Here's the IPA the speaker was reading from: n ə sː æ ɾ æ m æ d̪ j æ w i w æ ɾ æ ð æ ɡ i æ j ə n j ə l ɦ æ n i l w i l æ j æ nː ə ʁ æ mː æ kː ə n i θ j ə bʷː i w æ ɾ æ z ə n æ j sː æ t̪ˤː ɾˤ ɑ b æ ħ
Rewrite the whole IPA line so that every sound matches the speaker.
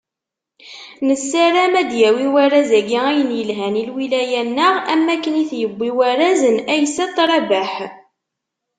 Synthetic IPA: n ə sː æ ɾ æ m æ d̪ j æ w i w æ ɾ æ z æ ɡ i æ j ə n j ə l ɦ æ n i l w i l æ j æ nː ə ʁ æ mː æ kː ə n i θ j ə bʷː i w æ ɾ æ z ə n æ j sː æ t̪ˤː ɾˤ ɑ b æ ħ

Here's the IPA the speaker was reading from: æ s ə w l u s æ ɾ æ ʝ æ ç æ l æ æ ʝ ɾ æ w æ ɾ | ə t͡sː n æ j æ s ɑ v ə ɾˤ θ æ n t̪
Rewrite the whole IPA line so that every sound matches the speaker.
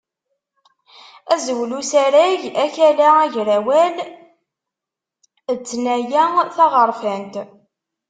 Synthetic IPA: æ z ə w l u s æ ɾ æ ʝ æ ç æ l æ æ ʝ ɾ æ w æ l | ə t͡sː n æ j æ θ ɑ ʁ ə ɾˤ f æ n t̪

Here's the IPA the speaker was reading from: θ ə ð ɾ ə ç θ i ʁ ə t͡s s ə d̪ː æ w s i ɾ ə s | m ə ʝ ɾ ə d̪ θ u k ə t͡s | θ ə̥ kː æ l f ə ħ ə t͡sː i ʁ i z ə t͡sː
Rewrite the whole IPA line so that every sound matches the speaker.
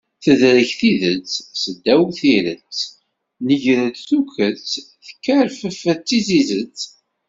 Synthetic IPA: θ ə ð ɾ ə ç θ i ð ə t͡s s ə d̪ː æ w θ i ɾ ə t͡s | n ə ʝ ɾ ə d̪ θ u k ə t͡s | θ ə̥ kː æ ɾ f ə f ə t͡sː i z i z ə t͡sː

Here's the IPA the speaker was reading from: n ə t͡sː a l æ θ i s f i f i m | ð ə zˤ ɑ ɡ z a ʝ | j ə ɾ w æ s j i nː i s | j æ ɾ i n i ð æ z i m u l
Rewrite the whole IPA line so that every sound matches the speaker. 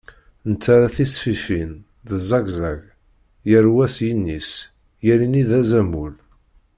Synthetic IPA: n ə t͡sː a ɾ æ θ i s f i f i n | ð ə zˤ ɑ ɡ z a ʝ | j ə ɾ w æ s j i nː i s | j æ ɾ i n i ð æ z æ m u l

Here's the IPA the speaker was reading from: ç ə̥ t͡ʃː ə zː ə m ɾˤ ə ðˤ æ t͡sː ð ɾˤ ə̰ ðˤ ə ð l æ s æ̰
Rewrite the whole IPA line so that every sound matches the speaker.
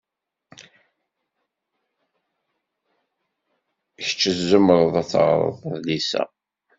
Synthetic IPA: ç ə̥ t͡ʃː ə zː ə m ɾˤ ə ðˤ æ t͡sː ʁ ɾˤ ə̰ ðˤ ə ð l i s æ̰

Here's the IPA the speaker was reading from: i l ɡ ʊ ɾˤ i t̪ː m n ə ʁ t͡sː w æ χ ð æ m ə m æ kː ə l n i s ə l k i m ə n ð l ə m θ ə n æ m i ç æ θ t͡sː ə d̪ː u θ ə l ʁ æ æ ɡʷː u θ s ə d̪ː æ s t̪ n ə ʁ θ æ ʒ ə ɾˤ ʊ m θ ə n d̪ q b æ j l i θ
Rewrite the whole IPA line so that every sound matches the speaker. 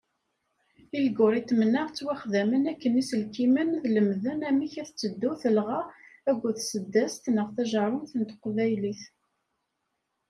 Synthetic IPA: i l ɡ ʊ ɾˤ i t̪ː m n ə ʁ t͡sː w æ χ ð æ m ə n æ kː ə n i s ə l k i m ə n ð l ə m ð ə n æ m i ç æ θ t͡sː ə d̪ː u θ ə l ʁ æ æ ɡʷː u θ s ə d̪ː æ s t̪ n ə ʁ θ æ ʒ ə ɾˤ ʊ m θ ə n t̪ q v æ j l i θ

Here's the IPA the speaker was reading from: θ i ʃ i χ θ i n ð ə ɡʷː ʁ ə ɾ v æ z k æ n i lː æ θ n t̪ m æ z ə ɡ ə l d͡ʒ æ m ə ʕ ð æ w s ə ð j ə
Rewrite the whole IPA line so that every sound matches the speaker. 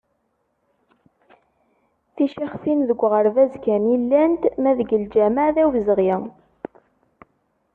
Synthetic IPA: θ i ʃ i χ f i n ð ə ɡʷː ʁ ə ɾ v æ z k æ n i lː æ n t̪ m æ ð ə ɡ ə l d͡ʒ æ m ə ʕ ð æ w z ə ʁ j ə

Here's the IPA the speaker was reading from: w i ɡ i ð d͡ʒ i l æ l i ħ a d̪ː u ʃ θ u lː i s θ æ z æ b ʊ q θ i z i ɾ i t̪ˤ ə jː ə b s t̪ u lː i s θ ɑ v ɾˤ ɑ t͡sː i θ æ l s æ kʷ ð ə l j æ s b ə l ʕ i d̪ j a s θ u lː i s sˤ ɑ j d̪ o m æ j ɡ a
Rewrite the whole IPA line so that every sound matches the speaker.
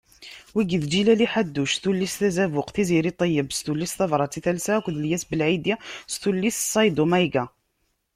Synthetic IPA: w i ɡ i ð d͡ʒ i l æ l i ħ a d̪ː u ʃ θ u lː i s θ æ z æ v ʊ q θ i z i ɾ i t̪ˤ ə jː ə b s t̪ u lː i s θ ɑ v ɾˤ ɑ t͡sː i θ æ l s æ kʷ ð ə l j æ s b ə l ʕ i d̪ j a s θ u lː i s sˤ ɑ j d̪ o m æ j ɡ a

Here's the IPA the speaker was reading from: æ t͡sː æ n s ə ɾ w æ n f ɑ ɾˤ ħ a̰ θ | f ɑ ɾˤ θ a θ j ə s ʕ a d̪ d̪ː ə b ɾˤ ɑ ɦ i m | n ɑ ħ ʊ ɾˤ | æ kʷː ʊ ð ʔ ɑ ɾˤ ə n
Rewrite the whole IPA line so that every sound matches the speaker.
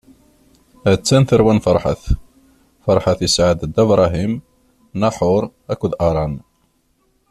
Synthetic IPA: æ t͡sː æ n θ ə ɾ w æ n f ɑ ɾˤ ħ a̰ θ | f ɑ ɾˤ ħ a θ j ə s ʕ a d̪ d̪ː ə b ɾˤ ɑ ɦ i m | n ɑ ħ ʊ ɾˤ | æ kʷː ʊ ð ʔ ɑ ɾˤ ɑ n

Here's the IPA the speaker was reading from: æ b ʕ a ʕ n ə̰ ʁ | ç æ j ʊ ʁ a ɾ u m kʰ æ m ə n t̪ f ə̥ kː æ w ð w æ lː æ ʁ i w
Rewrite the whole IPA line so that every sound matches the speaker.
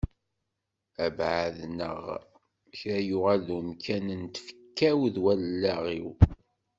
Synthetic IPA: æ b ʕ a ð n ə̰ ʁ | ç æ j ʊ ʁ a l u m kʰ æ n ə n t̪ f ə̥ kː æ w ð w æ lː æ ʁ i w

